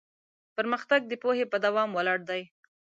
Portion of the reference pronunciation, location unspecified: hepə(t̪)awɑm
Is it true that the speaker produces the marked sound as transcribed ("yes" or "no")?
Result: no